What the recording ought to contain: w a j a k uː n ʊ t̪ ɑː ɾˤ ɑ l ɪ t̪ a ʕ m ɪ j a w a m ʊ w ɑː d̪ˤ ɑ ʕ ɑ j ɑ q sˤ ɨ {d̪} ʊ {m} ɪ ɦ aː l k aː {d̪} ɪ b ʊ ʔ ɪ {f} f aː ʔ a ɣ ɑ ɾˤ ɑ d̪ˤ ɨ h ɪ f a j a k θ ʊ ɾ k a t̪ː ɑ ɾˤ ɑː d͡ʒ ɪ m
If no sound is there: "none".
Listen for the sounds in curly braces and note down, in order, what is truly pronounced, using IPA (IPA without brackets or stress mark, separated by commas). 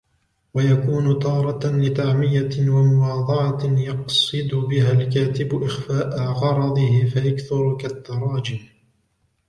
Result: d̪, b, t̪, x